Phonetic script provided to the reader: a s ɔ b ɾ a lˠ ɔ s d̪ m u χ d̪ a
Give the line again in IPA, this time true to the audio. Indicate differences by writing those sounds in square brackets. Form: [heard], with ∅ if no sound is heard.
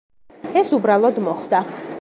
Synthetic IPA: [ɛ] s [u] b ɾ a lˠ ɔ [∅] d̪ m [ɔ] χ d̪ a